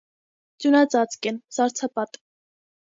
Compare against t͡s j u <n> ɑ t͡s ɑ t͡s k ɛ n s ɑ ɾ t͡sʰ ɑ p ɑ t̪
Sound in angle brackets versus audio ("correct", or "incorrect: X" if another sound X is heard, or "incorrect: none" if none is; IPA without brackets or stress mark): correct